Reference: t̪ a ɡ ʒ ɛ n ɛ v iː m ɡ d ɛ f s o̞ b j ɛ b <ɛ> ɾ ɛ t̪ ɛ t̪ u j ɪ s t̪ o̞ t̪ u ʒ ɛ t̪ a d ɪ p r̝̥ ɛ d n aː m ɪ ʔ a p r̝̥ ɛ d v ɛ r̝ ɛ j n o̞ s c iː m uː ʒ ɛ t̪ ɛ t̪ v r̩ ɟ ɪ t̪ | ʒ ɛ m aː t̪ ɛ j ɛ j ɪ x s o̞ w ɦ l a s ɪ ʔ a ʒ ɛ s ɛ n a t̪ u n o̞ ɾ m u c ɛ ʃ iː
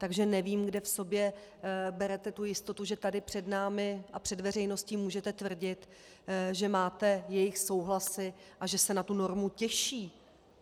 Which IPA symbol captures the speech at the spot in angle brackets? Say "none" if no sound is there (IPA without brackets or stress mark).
ɛ